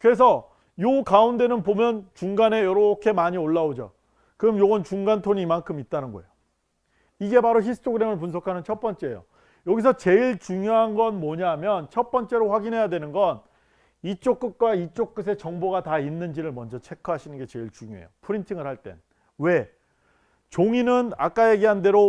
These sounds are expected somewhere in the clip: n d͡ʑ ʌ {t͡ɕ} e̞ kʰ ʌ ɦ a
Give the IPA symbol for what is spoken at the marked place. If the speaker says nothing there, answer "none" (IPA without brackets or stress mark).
t͡ɕʰ